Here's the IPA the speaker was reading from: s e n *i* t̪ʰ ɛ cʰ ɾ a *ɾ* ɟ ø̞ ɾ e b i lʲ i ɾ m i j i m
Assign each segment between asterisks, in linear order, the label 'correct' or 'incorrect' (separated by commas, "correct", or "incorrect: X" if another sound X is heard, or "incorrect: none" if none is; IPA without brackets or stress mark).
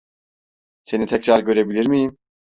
correct, correct